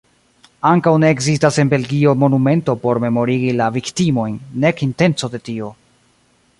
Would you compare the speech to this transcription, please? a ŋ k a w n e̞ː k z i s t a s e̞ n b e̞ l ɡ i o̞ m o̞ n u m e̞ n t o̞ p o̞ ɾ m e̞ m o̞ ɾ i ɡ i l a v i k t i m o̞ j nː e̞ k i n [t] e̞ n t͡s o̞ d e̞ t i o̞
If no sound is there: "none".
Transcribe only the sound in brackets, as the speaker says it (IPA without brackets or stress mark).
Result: t